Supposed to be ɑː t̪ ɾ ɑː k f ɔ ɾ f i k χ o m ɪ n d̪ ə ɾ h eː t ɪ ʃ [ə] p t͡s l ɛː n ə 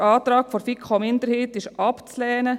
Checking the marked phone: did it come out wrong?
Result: yes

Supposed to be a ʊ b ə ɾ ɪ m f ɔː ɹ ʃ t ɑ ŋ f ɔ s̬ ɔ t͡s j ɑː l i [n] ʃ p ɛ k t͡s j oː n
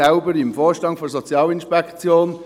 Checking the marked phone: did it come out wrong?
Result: no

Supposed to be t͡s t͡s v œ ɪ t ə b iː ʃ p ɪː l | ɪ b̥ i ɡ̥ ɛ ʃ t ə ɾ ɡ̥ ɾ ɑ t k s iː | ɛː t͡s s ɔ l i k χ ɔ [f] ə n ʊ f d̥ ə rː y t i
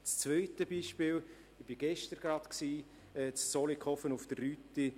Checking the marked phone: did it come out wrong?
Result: no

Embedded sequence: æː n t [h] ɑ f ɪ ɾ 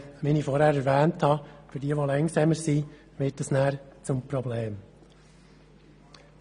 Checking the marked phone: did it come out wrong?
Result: no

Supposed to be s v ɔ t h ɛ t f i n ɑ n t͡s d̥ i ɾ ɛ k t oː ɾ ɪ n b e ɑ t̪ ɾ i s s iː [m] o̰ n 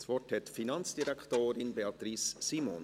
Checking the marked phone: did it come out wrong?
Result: no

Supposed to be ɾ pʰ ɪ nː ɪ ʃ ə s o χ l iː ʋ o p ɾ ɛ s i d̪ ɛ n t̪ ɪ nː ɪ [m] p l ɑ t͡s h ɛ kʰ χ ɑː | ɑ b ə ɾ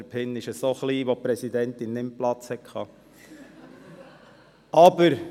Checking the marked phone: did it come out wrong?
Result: no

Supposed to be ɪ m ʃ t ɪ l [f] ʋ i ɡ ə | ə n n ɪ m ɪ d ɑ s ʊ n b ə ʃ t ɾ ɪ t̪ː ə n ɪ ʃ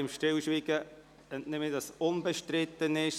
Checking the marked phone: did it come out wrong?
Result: yes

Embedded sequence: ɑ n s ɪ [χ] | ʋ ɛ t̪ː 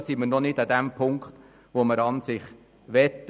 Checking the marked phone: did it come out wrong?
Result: no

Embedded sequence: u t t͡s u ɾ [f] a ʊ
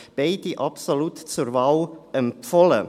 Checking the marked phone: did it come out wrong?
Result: yes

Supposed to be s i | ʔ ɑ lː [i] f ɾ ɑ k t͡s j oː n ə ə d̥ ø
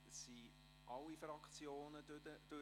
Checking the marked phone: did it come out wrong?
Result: no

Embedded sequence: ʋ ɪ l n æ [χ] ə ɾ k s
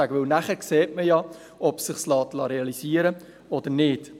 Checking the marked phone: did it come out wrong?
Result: no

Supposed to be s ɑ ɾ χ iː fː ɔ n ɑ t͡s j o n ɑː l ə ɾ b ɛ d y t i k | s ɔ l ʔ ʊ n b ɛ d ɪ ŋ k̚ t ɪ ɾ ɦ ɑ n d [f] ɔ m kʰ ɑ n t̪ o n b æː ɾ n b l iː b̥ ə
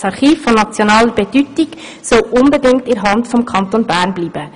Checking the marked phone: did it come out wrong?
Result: no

